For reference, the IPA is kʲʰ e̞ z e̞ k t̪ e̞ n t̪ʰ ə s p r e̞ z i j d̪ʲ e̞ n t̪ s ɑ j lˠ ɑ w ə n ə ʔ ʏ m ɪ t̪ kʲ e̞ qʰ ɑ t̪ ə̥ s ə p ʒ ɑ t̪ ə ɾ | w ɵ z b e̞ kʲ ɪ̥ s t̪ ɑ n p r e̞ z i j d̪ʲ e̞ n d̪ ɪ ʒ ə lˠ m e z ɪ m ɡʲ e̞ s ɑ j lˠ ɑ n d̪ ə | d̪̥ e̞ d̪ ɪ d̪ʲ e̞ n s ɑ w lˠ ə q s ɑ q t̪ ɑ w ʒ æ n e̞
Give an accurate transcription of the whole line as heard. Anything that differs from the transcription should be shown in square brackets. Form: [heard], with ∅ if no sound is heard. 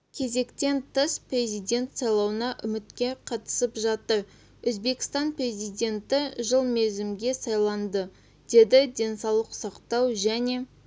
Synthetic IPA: kʲʰ e̞ z e̞ k t̪ e̞ n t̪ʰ ə s p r e̞ z i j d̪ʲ e̞ n t̪ s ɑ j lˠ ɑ w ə n [ɑ] ʔ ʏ m ɪ t̪ kʲ e̞ qʰ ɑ t̪ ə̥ s ə p ʒ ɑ t̪ ə ɾ | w ɵ z b e̞ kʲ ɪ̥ s t̪ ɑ n p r e̞ z i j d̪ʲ e̞ n [t̪] ɪ ʒ ə lˠ m e z ɪ m ɡʲ e̞ s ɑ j lˠ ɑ n d̪ ə | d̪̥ e̞ d̪ ɪ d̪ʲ e̞ n s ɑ w lˠ ə q s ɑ q t̪ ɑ w ʒ æ n e̞

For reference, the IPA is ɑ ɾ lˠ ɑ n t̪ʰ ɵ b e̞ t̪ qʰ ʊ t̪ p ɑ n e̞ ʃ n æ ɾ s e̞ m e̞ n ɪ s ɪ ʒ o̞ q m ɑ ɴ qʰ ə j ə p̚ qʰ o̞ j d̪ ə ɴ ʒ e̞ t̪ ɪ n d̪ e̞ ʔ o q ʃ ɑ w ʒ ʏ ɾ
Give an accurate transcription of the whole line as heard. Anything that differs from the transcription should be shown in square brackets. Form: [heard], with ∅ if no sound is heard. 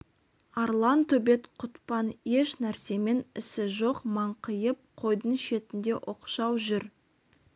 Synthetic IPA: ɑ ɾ lˠ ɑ n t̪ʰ ɵ b e̞ t̪ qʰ ʊ t̪ p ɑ n e̞ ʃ n æ ɾ s e̞ m e̞ n ɪ s ɪ ʒ o̞ q m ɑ ɴ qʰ ə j ə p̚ qʰ o̞ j d̪ ə ɴ [ʃ] e̞ t̪ ɪ n d̪ e̞ ʔ o q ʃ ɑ w ʒ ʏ ɾ

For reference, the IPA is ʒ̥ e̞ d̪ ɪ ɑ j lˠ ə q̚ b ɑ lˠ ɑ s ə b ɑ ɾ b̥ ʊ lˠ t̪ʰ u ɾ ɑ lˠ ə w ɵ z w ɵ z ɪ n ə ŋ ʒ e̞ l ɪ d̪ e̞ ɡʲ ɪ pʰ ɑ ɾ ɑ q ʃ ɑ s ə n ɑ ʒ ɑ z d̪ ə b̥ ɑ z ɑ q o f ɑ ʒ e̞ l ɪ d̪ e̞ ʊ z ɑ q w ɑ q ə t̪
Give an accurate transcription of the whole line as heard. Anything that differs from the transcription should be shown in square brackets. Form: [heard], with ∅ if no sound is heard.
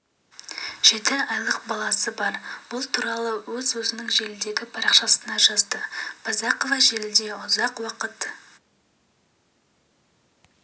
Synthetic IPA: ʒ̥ e̞ [t̪] ɪ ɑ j lˠ ə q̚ b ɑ lˠ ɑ s ə b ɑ ɾ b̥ ʊ lˠ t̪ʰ u ɾ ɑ lˠ ə w ɵ z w ɵ z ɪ n ə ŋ ʒ e̞ l ɪ d̪ e̞ ɡʲ ɪ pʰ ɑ ɾ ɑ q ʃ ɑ s ə n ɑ ʒ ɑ z d̪ ə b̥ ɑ z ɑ q o [v] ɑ ʒ e̞ l ɪ d̪ e̞ ʊ z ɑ q w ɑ q ə t̪

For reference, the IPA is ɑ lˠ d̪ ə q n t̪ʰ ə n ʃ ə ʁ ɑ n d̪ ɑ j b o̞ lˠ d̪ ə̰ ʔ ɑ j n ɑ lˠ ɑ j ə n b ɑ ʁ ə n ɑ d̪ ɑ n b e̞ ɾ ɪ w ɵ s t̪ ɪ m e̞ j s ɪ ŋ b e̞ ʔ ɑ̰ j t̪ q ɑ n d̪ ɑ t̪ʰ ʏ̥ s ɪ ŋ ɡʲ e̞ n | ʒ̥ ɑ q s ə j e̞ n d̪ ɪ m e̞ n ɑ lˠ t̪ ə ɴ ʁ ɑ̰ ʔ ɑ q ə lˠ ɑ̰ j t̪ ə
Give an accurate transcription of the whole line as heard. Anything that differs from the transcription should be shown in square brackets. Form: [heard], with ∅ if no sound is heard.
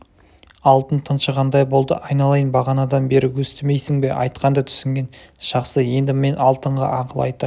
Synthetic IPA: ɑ lˠ [t̪] ə [∅] n t̪ʰ ə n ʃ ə ʁ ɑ n d̪ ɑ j b o̞ lˠ d̪ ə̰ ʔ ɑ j n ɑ lˠ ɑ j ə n b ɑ ʁ [ɑ] n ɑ d̪ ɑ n b e̞ ɾ ɪ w ɵ s t̪ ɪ m e̞ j s ɪ ŋ b e̞ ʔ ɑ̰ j t̪ q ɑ n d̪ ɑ t̪ʰ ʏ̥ s ɪ ŋ ɡʲ e̞ n | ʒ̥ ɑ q s ə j e̞ n d̪ ɪ m e̞ n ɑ lˠ t̪ ə ɴ ʁ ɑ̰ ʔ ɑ q ə lˠ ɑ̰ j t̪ ə

